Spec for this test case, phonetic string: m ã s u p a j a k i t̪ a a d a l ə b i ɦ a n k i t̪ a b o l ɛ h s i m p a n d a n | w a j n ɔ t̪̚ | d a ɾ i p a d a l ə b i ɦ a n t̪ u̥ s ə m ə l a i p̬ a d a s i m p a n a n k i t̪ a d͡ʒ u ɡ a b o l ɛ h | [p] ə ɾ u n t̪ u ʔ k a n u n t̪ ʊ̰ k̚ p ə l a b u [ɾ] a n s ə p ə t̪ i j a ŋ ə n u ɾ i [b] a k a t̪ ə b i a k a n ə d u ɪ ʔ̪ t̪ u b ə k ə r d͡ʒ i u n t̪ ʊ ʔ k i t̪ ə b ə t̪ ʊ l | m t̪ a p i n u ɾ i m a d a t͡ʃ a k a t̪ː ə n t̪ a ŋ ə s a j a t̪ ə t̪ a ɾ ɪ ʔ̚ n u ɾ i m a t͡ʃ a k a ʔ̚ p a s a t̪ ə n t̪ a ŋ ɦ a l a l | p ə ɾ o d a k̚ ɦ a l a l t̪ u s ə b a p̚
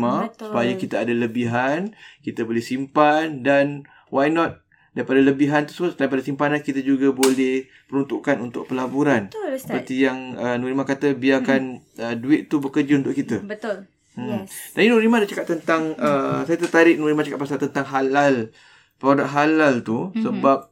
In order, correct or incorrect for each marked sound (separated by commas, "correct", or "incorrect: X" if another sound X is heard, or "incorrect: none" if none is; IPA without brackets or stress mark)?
correct, correct, incorrect: m